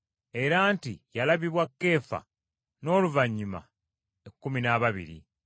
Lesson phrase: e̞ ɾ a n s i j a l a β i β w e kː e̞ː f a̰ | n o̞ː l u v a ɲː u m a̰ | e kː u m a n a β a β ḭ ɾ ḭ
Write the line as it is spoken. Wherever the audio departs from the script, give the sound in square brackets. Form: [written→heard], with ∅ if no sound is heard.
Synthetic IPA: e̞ ɾ a n [s→t] i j a l a β i β w [e→a] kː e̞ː f a̰ | n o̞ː l u v a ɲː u m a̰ | e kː u m [a→i] n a β a β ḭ ɾ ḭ